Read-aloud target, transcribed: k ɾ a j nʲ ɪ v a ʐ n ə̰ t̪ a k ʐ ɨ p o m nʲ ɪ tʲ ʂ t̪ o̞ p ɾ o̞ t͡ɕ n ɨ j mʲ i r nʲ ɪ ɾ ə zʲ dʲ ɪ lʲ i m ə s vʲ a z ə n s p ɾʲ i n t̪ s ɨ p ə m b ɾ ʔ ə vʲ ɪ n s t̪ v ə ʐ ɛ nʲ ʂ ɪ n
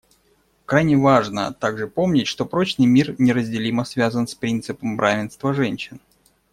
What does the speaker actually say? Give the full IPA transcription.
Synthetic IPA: k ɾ a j nʲ ɪ v a ʐ n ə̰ t̪ a ɡ ʐ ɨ p o m nʲ ɪ tʲ ʂ t̪ o̞ p ɾ o̞ t͡ɕ n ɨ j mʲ i r nʲ ɪ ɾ ə zʲ dʲ ɪ lʲ i m ə s vʲ a z ə n s p ɾʲ i n t̪ s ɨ p ə m b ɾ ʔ a vʲ ɪ n s t̪ v ə ʐ ɛ nʲ ɕ ɪ n

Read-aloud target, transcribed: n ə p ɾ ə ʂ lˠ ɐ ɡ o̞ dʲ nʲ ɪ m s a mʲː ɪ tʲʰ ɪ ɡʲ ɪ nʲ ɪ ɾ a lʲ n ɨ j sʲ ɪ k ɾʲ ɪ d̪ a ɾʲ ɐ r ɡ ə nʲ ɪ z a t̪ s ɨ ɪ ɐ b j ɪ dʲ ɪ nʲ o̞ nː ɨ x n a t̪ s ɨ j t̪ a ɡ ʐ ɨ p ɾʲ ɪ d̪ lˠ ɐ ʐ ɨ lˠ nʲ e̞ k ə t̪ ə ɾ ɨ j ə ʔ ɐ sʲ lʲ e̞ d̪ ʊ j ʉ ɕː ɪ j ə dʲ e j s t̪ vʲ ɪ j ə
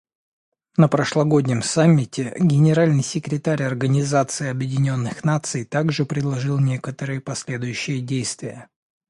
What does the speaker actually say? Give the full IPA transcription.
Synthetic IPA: n ə p ɾ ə ʂ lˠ ɐ ɡ o̞ dʲ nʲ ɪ m s a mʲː ɪ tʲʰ ɪ ɡʲ ɪ nʲ ɪ ɾ a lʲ n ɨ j sʲ ɪ k ɾʲ ɪ t̪ a ɾʲ ɐ r ɡ ə nʲ ɪ z a t̪ s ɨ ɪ ɐ b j ɪ dʲ ɪ nʲ o̞ nː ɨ x n a t̪ s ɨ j t̪ a ɡ ʐ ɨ p ɾʲ ɪ d̪ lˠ ɐ ʐ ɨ lˠ nʲ e̞ k ə t̪ ə ɾ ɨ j ə p ɐ sʲ lʲ e̞ d̪ ʊ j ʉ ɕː ɪ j ə dʲ e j s t̪ vʲ ɪ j ə

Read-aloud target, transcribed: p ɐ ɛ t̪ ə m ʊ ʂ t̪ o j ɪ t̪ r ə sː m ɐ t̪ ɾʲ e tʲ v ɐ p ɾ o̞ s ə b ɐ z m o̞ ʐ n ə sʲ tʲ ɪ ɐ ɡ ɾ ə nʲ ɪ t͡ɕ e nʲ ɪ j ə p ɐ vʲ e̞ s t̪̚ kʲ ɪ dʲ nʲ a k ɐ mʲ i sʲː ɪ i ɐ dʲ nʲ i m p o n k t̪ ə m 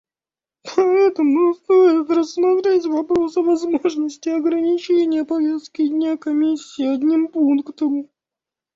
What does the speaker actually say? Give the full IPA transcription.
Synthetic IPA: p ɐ ɛ t̪ ə m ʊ s t̪ o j ɪ t̪ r ə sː m ɐ t̪ ɾʲ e tʲ v ɐ p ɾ o̞ s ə v ɐ z m o̞ ʐ n ə sʲ tʲ ɪ ɐ ɡ ɾ ə nʲ ɪ t͡ɕ e nʲ ɪ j ə p ɐ vʲ e̞ s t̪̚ kʲ ɪ dʲ nʲ a k ɐ mʲ i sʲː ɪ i ɐ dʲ nʲ i m p u n k t̪ ə m

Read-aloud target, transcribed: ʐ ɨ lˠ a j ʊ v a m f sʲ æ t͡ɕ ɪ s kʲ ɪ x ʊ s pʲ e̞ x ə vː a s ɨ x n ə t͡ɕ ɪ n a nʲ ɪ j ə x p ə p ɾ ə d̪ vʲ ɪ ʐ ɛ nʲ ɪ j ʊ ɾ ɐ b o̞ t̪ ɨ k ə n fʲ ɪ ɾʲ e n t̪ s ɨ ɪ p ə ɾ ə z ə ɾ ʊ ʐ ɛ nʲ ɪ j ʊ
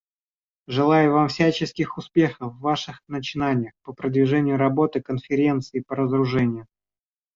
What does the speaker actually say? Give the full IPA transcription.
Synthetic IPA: ʐ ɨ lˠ a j ʊ v a m f sʲ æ t͡ɕ ɪ s kʲ ɪ x ʊ s pʲ e̞ x ə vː a ʂ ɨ x n ə t͡ɕ ɪ n a nʲ ɪ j ə x p ə p ɾ ə d̪ vʲ ɪ ʐ ɛ nʲ ɪ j ʊ ɾ ɐ b o̞ t̪ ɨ k ə n fʲ ɪ ɾʲ e n t̪ s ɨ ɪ p ə ɾ ə z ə ɾ ʊ ʐ ɛ nʲ ɪ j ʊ

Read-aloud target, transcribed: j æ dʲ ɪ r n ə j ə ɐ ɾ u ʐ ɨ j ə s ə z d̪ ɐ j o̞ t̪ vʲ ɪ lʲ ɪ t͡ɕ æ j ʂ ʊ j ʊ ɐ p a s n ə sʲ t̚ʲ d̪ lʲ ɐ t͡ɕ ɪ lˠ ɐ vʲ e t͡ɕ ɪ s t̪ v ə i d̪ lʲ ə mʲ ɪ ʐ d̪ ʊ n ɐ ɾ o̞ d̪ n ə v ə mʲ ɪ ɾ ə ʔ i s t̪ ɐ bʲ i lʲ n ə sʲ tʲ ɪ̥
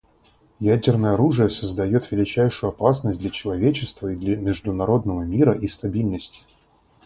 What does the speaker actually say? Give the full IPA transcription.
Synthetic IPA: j æ dʲ ɪ r n ə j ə ɐ ɾ u ʐ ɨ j ə s ə z d̪ ɐ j o̞ t̪ vʲ ɪ lʲ ɪ t͡ɕ æ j ʂ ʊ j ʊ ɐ p a s n ə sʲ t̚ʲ d̪ lʲ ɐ t͡ɕ ɪ lˠ ɐ vʲ e t͡ɕ ɪ s t̪ v ə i d̪ lʲ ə mʲ ɪ ʐ d̪ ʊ n ɐ ɾ o̞ d̪ n ə v ə mʲ i ɾ ə ʔ i s t̪ ɐ bʲ i lʲ n ə sʲ tʲ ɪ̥

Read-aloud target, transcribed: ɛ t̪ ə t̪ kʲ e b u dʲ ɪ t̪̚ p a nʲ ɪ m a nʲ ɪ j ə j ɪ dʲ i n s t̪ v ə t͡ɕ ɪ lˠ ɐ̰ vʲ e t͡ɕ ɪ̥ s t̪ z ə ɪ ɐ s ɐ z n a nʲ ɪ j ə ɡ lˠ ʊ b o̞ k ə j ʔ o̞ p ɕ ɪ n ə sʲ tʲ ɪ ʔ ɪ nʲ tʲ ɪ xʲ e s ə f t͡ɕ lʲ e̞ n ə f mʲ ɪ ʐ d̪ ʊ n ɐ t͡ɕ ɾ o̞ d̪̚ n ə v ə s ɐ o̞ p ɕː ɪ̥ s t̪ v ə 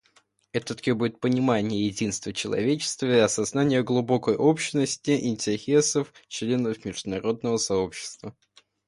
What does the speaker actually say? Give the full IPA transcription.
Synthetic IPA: ɛ t̪ ə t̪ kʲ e b u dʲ ɪ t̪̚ p ə nʲ ɪ m a nʲ ɪ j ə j ɪ dʲ i n s t̪ v ə t͡ɕ ɪ lˠ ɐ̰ vʲ e t͡ɕ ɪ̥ s t̪ v ə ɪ ɐ s ɐ z n a nʲ ɪ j ə ɡ lˠ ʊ b o̞ k ə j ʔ o̞ p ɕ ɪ n ə sʲ tʲ ɪ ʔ ɪ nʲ tʲ ɪ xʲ e s ə f t͡ɕ lʲ e̞ n ə f mʲ ɪ ʐ d̪ ʊ n ɐ ɾ o̞ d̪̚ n ə v ə s ɐ o̞ p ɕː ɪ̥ s t̪ v ə

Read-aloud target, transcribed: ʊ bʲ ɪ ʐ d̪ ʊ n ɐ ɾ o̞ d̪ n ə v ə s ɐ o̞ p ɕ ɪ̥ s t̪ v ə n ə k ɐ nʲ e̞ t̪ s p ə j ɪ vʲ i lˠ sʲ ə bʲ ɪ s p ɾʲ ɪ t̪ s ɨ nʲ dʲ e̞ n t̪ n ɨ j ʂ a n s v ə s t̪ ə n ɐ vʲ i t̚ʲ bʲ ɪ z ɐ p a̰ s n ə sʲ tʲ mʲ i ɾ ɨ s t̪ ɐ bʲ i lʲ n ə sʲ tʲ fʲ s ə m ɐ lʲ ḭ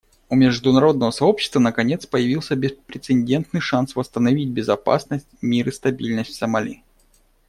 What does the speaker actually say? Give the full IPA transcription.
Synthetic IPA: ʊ mʲ ɪ ʐ d̪ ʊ n ɐ ɾ o̞ d̪ n ə v ə s ɐ o̞ p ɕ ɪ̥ s t̪ v ə n ə k ɐ nʲ e̞ t̪ s p ə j ɪ vʲ i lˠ sʲ ə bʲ ɪ s p ɾʲ ɪ t̪ s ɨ nʲ dʲ e̞ n t̪ n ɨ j ʂ a n s v ə s t̪ ə n ɐ vʲ i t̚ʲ bʲ ɪ z ɐ p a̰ s n ə sʲ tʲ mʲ i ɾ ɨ s t̪ ɐ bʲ i lʲ n ə sʲ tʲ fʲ s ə m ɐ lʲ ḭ

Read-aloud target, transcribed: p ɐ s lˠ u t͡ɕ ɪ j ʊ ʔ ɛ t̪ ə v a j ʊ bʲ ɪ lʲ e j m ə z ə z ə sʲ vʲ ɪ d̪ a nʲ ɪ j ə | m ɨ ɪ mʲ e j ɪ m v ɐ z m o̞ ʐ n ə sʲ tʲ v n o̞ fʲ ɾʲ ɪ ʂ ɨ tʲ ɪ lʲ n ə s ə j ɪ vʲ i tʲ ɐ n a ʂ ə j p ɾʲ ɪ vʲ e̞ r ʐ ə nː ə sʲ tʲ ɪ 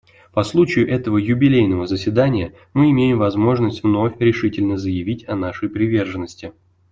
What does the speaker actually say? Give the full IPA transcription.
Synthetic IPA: p ɐ s lˠ u t͡ɕ ɪ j ʊ ʔ ɛ t̪ ə v ə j ʊ bʲ ɪ lʲ e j n ə v ə z ə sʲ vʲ ɪ d̪ a nʲ ɪ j ə | m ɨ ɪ mʲ e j ɪ m v ɐ z m o̞ ʐ n ə sʲ tʲ v n o̞ fʲ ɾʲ ɪ ʂ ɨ tʲ ɪ lʲ n ə z ə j ɪ vʲ i tʲ ɐ n a ʂ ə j p ɾʲ ɪ vʲ e̞ r ʐ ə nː ə sʲ tʲ ɪ

